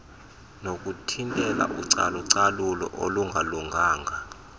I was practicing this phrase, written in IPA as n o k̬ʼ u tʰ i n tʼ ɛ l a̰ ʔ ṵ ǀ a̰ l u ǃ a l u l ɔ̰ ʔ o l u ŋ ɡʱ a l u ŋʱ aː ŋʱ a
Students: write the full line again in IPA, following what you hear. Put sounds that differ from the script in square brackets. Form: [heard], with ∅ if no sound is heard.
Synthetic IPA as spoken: n o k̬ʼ u tʰ i n tʼ ɛ l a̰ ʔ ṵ ǀ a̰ l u [ǀ] a l u l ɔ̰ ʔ o l u ŋ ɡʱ a l u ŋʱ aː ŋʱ a